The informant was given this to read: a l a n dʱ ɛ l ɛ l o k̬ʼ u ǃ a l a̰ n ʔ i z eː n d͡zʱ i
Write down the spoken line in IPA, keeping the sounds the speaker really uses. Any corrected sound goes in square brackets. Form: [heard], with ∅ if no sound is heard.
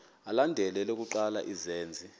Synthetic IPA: a l a n dʱ ɛ l ɛ l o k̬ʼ u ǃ a l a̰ [∅] ʔ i z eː n d͡zʱ i